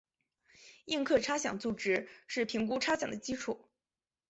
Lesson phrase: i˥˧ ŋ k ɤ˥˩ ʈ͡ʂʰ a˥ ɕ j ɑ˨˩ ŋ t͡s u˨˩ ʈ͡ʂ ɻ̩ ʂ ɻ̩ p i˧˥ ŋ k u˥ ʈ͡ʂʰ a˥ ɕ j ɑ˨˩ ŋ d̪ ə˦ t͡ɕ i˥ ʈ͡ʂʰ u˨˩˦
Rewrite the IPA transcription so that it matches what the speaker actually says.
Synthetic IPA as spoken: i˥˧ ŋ kʰ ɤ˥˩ ʈ͡ʂʰ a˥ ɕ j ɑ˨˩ ŋ t͡s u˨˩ ʈ͡ʂ ɻ̩ ʂ ɻ̩ pʰ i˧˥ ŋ k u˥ ʈ͡ʂʰ a˥ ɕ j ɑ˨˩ ŋ d̪ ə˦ t͡ɕ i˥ ʈ͡ʂʰ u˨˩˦